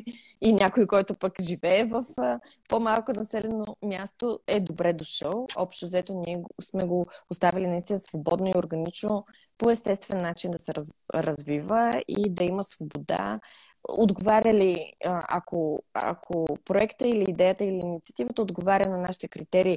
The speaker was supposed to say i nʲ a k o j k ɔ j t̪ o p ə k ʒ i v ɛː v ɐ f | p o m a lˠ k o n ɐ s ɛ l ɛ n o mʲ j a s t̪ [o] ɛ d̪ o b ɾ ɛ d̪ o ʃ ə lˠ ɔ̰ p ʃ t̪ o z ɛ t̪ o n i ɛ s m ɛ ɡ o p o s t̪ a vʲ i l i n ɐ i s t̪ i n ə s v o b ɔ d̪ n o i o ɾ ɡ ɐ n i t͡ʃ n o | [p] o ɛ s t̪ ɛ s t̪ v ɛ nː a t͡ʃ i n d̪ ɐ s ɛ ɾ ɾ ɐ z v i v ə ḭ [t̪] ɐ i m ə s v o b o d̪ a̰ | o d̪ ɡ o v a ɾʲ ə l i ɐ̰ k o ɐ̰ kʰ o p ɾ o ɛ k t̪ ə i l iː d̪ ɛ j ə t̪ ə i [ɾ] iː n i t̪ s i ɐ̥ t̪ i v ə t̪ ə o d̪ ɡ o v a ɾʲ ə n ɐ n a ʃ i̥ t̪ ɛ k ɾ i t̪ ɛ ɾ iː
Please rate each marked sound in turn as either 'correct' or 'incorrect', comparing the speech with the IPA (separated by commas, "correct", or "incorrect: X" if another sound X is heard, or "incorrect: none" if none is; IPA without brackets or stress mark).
correct, correct, incorrect: d̪, incorrect: l